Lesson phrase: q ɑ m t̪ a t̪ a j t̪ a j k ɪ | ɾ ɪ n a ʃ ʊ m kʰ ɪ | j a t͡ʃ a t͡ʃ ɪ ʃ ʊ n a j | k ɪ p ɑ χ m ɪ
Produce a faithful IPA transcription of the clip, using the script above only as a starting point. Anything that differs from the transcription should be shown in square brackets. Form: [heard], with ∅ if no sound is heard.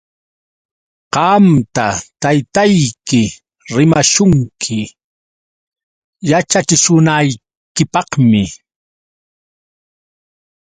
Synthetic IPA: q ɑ m t̪ a t̪ a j t̪ a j k ɪ | ɾ ɪ [m] a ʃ ʊ [ŋ] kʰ ɪ | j a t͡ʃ a t͡ʃ ɪ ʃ ʊ n a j | k ɪ p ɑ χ m ɪ